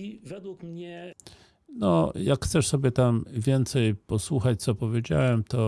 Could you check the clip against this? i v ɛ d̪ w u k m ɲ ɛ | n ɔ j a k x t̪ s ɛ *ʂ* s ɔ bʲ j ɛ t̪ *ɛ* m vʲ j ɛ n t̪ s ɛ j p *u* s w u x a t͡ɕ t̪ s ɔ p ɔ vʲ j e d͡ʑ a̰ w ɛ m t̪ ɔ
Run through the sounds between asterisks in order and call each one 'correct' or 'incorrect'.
correct, incorrect: a, incorrect: ɔ

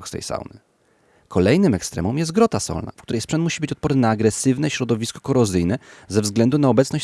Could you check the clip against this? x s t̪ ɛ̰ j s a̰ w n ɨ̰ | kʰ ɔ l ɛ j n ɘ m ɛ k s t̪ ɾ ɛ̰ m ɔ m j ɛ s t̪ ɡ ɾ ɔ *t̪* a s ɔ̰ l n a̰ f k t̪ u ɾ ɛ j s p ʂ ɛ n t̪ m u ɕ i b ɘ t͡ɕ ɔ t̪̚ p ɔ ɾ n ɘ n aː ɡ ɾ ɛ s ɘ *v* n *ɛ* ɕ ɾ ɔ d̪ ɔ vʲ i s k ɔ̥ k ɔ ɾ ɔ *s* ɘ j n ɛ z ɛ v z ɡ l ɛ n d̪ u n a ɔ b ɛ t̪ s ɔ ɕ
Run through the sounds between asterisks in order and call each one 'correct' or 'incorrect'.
correct, correct, correct, incorrect: z

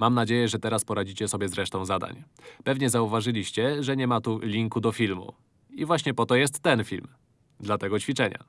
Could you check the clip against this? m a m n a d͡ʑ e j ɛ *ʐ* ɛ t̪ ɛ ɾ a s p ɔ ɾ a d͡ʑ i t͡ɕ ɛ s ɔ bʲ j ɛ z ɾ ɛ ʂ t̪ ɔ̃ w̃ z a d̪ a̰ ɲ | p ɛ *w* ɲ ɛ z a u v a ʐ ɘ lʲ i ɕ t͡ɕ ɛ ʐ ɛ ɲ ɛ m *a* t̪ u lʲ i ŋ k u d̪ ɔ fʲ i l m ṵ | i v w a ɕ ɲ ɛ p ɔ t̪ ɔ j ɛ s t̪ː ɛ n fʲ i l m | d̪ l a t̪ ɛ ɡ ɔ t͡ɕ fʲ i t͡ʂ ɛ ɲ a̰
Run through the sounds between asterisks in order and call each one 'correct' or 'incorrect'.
correct, incorrect: v, correct

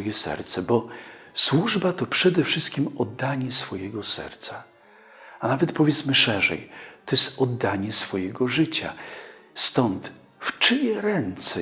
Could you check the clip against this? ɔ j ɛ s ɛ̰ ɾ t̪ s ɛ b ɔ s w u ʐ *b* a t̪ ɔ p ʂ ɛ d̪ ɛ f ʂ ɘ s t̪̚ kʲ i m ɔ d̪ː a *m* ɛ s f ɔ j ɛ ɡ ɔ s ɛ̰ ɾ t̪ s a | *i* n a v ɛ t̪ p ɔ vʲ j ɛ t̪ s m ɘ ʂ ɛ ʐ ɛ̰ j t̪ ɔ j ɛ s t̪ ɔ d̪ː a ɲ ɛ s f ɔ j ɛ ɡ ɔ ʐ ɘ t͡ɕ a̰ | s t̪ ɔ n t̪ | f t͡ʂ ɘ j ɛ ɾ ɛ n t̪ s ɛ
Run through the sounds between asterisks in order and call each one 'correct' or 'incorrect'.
correct, incorrect: ɲ, incorrect: a

